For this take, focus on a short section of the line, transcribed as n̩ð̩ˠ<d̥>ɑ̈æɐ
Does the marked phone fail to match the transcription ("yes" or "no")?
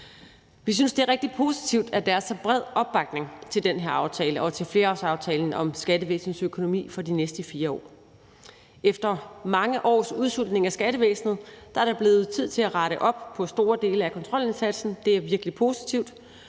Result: no